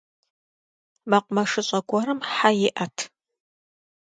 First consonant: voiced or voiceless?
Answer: voiced